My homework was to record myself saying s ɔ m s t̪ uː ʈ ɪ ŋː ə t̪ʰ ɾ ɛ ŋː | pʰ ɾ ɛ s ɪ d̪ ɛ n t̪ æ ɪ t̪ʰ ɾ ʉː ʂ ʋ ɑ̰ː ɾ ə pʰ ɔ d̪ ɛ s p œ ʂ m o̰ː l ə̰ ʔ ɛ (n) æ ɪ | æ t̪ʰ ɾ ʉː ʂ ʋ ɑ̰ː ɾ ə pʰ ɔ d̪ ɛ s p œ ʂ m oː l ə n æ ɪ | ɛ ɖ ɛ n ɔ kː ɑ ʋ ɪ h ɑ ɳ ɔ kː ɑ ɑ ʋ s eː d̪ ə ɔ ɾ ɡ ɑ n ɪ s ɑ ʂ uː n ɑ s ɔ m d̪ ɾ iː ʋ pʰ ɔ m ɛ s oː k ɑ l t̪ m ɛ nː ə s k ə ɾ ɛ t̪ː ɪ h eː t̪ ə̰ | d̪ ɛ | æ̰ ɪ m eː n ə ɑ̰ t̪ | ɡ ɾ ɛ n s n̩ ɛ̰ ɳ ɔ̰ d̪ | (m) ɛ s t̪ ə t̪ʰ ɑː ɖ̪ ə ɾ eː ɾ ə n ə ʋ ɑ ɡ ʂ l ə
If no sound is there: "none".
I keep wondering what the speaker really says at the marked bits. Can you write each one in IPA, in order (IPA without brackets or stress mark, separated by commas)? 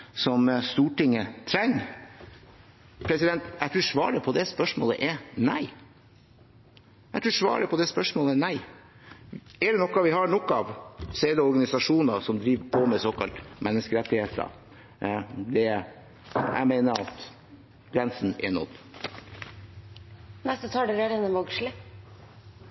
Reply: n, n